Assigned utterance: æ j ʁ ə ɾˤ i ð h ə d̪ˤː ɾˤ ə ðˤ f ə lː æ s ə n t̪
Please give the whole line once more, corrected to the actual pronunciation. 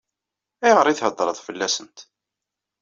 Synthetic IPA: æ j ʁ ə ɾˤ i θ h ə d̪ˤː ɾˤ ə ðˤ f ə lː æ s ə n t̪

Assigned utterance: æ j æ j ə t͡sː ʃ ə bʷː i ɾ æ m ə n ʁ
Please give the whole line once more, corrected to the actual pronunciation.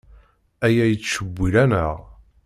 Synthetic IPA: æ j æ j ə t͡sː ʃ ə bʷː i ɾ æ n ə ʁ

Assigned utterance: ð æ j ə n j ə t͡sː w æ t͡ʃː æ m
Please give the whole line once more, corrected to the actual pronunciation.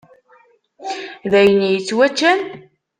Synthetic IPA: ð æ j ə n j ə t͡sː w æ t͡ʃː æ n

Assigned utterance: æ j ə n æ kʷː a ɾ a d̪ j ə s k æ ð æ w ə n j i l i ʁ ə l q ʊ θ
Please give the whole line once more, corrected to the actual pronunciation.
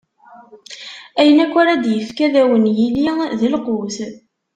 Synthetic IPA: æ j ə n æ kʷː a ɾ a d̪ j ə f k æ ð æ w ə n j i l i ð ə l q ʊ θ

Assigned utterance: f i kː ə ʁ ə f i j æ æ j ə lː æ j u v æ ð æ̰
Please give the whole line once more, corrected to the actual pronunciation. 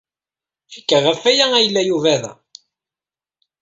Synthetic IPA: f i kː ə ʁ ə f æ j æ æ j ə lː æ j u v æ ð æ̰

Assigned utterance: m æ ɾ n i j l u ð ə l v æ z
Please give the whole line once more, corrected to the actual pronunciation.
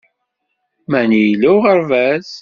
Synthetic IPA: m æ n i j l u ʁ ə ɾ v æ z

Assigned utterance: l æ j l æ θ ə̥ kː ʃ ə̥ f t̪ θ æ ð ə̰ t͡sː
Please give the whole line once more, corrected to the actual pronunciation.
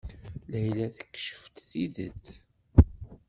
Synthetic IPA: l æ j l æ θ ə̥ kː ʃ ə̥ f t̪ θ i ð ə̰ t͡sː

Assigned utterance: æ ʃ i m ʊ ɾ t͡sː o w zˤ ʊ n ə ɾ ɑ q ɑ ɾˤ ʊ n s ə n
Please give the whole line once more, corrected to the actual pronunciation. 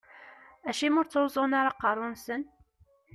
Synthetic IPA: æ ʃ i m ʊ ɾ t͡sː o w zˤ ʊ n a ɾ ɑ q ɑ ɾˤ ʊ n s ə n

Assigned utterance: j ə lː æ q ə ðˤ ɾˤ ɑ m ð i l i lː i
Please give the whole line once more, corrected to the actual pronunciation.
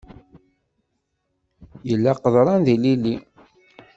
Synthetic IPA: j ə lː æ q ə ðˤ ɾˤ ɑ n ð i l i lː i

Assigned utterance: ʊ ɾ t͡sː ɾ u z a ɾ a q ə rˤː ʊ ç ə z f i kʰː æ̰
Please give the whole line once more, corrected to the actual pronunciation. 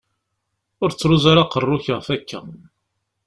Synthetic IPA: ʊ ɾ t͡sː ɾ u z a ɾ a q ə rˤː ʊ ç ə ʁ f æ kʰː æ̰

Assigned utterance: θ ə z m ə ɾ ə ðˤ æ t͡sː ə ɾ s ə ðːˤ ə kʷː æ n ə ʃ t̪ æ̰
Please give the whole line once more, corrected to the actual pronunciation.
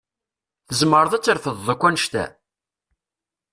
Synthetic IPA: θ ə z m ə ɾ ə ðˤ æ t͡sː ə ɾ f ə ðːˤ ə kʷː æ n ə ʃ t̪ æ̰

